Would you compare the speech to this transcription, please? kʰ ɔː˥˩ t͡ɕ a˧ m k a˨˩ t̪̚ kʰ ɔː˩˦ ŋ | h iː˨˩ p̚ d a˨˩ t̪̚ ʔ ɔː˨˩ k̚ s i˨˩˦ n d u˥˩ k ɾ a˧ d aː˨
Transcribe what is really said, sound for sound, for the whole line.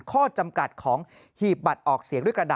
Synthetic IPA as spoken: kʰ ɔː˥˩ t͡ɕ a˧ m k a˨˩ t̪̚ kʰ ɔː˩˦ ŋ | h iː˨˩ p̚ b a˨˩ t̪̚ ʔ ɔː˨˩ k̚ s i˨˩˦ ŋ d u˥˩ k ɾ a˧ d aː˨

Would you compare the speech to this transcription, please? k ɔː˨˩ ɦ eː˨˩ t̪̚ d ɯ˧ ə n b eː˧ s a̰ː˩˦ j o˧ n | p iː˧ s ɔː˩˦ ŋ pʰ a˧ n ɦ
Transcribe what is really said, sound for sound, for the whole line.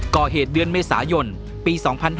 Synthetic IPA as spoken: k ɔː˨˩ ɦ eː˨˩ t̪̚ d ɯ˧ ə n m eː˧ s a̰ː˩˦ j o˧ n | p iː˧ s ɔː˩˦ ŋ pʰ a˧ n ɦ

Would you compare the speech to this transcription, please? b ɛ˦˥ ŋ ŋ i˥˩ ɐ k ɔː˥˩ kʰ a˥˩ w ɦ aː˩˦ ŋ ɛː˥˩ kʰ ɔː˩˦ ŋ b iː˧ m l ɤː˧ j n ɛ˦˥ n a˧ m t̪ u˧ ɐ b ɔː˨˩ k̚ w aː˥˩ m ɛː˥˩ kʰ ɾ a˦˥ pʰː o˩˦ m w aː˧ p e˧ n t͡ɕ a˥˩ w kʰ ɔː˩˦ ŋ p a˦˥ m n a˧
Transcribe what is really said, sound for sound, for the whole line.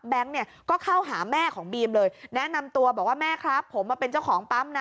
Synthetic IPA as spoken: b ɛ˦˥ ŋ n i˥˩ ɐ k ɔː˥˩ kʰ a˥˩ w ɦ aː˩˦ m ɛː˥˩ kʰ ɔː˩˦ ŋ b iː˧ m l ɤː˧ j n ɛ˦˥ n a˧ m t̪ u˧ ɐ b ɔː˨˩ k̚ w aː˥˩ m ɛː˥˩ kʰ ɾ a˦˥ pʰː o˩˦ m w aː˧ p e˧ n t͡ɕ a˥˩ w kʰ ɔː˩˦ ŋ p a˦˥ m n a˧

